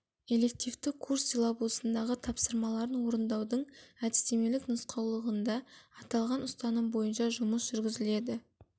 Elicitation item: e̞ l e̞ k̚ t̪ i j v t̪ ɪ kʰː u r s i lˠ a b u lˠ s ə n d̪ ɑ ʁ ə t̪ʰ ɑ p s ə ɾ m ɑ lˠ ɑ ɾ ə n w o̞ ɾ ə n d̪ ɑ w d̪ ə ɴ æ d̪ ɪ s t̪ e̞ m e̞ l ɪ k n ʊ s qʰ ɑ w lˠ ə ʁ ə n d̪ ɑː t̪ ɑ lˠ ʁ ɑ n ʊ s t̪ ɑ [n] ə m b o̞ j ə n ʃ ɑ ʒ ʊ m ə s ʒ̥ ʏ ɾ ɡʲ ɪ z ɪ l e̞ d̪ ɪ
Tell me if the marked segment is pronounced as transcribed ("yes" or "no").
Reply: yes